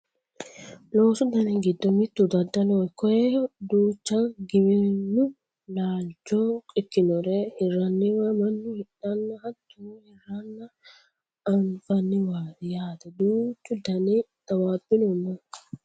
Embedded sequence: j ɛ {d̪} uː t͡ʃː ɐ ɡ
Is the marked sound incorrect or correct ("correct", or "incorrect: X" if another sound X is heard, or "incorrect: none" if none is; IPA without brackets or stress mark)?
correct